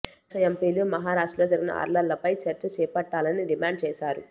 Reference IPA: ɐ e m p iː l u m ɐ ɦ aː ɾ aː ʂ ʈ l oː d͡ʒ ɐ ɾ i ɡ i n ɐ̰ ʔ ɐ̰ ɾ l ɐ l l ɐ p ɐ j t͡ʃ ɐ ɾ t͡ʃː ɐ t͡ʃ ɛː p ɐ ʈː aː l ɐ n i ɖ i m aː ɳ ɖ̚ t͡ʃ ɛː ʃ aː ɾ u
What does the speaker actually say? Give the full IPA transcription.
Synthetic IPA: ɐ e m p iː l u m ɐ ɦ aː ɾ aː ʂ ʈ l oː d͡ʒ ɐ ɾ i ɡ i n ɐ̰ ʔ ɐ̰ ɾ l ɐ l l ɐ p ɐ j t͡ʃ ɐ ɾ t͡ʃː ɐ t͡ʃ ɛː p ɐ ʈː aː l ɐ n i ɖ i m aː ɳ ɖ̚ t͡ʃ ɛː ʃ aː ɾ u